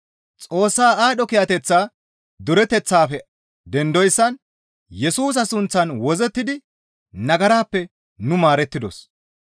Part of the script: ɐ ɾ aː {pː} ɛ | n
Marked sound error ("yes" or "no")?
no